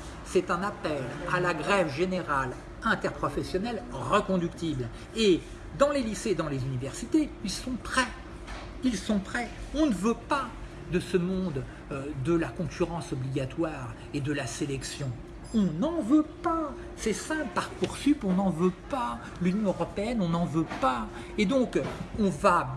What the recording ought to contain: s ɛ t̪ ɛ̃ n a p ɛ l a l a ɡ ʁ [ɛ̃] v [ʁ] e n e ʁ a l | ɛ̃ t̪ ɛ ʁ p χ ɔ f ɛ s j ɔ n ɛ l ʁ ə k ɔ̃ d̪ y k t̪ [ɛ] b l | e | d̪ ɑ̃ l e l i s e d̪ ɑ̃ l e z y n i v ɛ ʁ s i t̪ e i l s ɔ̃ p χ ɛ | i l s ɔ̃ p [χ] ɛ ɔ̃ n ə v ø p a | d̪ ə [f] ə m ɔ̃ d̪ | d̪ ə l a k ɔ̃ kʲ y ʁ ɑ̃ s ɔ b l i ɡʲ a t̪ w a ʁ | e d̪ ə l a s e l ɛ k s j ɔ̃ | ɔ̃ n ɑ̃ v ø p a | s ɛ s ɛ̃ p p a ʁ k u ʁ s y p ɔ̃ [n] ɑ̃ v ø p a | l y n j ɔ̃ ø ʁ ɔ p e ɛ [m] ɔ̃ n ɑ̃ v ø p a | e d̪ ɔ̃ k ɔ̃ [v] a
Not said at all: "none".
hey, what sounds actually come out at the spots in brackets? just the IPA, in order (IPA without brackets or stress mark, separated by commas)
ɛ, ʒ, i, χ, s, n, n, v